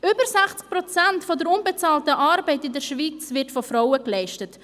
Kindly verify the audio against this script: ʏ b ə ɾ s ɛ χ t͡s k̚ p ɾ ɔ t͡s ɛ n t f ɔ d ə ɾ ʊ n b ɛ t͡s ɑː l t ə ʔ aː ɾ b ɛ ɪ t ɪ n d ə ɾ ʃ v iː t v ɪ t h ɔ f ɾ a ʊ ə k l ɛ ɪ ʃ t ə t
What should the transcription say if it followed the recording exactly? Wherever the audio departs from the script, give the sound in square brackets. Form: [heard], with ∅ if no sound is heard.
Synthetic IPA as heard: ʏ b ə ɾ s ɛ χ t͡s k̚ p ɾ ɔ t͡s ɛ n t f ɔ d ə ɾ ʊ n b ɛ t͡s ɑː l t ə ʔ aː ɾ b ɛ ɪ t ɪ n d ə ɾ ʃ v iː [t͡s] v ɪ t [f] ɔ f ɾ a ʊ ə k l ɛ ɪ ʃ t ə t